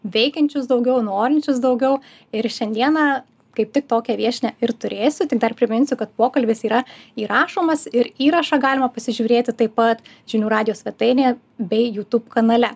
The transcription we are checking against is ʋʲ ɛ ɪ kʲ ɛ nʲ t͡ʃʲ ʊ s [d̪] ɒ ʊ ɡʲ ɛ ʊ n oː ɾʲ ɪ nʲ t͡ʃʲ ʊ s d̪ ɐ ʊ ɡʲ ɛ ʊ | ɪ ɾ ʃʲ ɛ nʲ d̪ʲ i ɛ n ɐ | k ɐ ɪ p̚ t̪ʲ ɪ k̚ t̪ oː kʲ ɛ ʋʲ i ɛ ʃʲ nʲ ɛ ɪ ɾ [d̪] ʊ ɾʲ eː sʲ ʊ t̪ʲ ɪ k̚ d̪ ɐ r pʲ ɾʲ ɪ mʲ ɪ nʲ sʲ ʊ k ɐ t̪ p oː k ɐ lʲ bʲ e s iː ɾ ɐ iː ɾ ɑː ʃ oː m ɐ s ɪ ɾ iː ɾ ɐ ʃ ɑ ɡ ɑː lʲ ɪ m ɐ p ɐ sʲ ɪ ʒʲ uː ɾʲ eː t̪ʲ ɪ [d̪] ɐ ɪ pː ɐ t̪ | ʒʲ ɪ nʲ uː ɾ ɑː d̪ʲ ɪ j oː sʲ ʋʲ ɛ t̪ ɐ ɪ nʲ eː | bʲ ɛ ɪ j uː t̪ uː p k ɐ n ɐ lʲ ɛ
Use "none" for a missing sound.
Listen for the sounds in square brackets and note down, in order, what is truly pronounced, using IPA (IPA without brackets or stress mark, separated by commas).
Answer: d̪, t̪, t̪